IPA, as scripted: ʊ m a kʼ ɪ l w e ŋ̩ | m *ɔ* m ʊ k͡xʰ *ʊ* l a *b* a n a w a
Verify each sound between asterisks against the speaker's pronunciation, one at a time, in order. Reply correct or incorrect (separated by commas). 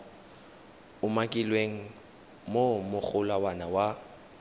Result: incorrect, correct, incorrect